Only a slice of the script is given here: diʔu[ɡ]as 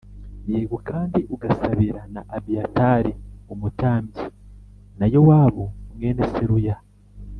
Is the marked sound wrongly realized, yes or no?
no